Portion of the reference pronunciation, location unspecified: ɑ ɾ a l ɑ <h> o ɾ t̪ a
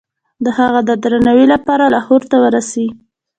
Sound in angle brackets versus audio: correct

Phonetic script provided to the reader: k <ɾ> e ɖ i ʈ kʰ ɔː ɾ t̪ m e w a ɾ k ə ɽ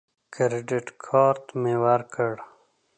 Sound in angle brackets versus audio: correct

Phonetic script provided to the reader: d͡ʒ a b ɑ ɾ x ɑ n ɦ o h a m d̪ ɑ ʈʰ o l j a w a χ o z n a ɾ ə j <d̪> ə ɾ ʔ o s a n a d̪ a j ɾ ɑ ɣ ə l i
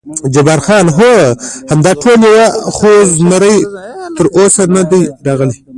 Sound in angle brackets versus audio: incorrect: t̪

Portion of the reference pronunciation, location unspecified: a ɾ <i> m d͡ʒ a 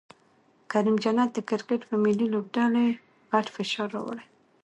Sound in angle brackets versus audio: correct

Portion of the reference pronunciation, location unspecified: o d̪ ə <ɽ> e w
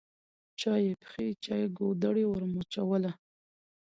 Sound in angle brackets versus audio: correct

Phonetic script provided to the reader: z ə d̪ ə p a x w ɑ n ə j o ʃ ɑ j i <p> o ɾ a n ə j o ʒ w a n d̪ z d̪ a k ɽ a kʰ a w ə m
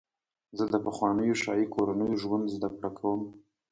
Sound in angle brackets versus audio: incorrect: k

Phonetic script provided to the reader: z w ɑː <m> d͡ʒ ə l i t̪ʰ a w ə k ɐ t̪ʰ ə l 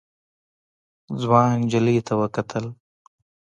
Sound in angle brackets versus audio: incorrect: n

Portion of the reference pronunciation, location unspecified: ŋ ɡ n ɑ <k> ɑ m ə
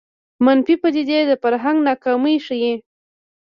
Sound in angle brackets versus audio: correct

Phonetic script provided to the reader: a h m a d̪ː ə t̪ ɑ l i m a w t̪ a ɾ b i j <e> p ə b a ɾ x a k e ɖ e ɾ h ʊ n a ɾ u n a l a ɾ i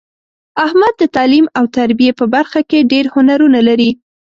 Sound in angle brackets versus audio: correct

